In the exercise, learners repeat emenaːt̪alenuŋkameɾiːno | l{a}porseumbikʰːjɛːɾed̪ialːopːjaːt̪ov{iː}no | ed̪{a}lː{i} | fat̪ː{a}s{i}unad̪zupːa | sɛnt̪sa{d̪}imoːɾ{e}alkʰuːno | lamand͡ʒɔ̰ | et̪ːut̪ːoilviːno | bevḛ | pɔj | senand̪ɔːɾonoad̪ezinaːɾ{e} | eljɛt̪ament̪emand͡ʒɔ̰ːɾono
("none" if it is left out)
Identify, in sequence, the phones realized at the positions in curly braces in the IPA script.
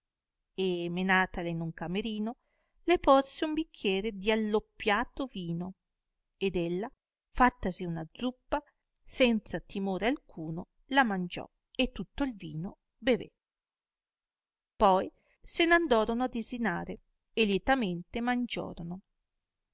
e, iː, e, a, a, i, t̪, e, e

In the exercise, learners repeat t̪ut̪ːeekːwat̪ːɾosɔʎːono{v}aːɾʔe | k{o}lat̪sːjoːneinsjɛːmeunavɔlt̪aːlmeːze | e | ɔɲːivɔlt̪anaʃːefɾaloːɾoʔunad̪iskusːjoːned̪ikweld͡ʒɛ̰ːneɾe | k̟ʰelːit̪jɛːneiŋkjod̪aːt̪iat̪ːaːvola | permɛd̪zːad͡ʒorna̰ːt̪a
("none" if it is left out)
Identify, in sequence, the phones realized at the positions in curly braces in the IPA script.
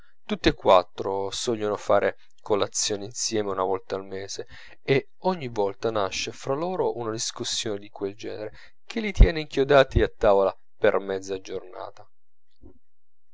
f, o

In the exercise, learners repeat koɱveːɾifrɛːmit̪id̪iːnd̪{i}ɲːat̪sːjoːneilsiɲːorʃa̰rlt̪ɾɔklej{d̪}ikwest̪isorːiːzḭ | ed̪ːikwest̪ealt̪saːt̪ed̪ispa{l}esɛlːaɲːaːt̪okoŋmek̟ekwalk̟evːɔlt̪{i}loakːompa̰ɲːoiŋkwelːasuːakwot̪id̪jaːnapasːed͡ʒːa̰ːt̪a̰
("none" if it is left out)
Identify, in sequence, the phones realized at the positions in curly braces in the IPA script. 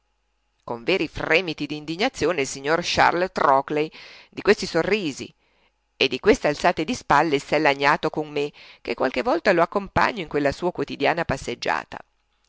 i, d̪, lː, a

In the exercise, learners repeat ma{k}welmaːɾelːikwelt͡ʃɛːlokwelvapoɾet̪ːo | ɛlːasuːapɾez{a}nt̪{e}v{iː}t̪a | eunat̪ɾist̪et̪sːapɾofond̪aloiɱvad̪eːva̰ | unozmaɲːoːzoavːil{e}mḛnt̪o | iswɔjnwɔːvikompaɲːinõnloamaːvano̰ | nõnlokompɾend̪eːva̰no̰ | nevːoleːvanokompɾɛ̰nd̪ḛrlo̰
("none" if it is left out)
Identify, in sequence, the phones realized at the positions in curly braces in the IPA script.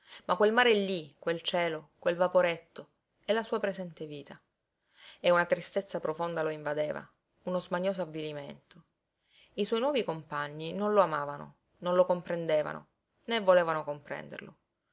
k, ɛ, e, iː, i

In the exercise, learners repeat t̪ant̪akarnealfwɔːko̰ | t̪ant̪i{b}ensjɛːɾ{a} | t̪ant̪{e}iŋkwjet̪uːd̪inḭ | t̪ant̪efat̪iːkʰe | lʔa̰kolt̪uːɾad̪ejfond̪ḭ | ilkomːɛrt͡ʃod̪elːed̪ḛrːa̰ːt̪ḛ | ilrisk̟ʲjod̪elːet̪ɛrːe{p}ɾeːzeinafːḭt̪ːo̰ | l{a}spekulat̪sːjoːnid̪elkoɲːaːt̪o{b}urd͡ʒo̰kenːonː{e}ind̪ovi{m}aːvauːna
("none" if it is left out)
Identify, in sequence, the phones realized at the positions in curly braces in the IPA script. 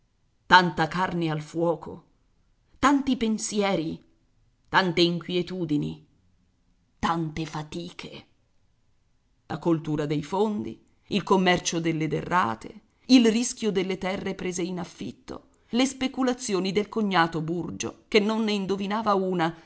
p, i, e, p, e, b, e, n

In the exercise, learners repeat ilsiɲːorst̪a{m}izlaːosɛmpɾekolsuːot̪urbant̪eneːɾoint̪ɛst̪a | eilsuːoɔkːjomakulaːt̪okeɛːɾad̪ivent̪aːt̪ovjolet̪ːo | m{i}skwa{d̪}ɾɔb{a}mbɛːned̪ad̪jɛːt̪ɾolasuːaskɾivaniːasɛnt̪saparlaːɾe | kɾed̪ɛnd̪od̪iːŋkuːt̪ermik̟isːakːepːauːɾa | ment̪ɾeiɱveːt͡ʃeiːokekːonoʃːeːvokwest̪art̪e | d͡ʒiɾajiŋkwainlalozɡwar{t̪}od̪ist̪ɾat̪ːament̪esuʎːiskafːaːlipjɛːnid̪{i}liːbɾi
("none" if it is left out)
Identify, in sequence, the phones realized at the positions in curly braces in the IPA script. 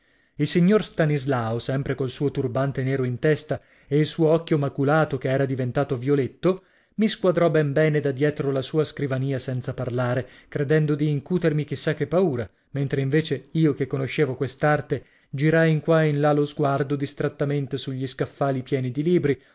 n, i, d̪, ɛ, d̪, i

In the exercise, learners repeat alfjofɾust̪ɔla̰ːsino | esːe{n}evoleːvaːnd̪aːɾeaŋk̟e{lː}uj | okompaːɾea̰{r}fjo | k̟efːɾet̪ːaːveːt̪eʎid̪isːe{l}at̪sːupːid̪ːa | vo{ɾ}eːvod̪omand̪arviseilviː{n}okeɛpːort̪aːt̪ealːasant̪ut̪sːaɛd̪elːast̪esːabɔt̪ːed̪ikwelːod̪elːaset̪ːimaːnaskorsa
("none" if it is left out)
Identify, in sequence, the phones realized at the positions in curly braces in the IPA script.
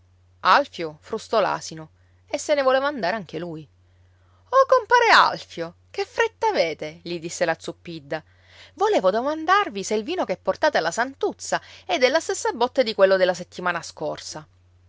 n, l, l, l, l, n

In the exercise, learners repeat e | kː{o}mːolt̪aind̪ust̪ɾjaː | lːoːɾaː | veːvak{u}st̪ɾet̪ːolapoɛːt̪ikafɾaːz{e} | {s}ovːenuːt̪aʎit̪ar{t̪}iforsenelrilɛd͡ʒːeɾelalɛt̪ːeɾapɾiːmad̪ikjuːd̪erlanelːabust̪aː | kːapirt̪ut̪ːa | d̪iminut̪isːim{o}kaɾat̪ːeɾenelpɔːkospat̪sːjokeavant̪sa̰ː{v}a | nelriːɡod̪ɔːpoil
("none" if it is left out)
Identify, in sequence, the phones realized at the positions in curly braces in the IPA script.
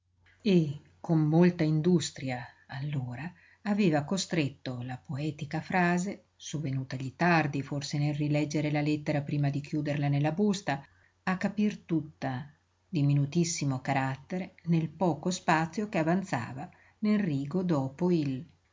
o, o, e, s, d̪, o, v

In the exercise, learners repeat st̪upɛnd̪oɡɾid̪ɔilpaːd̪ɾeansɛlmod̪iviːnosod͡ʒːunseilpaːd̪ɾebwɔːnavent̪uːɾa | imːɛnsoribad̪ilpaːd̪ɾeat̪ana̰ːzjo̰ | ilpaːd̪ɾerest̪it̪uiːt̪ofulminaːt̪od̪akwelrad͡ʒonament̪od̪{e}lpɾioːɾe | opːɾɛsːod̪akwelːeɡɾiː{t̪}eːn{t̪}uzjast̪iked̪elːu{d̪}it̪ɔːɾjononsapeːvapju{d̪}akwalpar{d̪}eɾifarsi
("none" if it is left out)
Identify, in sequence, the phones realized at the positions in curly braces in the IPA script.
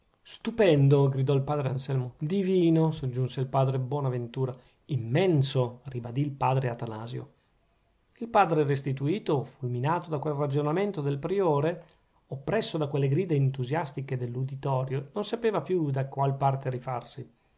e, d̪, t̪, d̪, d̪, t̪

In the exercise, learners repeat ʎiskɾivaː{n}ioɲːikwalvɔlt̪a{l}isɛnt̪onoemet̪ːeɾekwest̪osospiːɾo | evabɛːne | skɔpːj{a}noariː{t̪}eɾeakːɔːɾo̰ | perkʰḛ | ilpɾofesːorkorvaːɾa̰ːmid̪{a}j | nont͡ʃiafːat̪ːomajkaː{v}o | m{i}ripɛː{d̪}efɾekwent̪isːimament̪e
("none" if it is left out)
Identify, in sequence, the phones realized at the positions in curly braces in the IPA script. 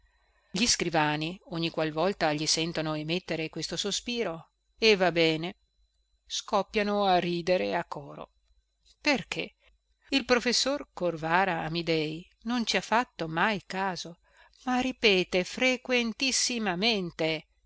n, ʎ, a, d̪, ɛ, z, a, t̪

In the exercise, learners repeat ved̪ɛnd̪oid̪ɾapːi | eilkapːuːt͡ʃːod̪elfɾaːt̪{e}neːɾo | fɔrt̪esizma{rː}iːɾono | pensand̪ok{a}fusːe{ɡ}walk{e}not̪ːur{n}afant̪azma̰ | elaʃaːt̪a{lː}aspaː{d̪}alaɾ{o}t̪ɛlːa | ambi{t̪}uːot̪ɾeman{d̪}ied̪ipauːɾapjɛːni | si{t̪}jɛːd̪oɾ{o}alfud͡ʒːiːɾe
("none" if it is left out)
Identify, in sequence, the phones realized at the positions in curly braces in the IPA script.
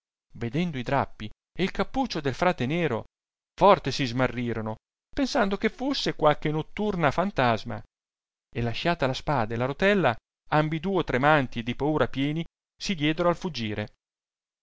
e, rː, e, k, e, n, l, d̪, o, d̪, t̪, d̪, o

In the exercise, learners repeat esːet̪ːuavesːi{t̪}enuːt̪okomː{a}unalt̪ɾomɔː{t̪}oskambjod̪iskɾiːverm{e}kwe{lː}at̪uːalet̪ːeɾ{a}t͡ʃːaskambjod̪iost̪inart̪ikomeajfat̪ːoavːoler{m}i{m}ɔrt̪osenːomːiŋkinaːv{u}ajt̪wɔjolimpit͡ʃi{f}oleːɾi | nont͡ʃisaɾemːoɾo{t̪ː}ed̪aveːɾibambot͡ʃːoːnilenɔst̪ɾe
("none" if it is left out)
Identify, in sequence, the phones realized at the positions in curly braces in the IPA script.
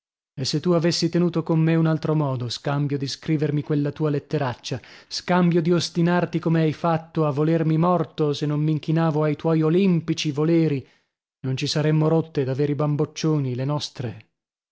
t̪, e, d̪, i, lː, a, m, m, o, v, t̪ː

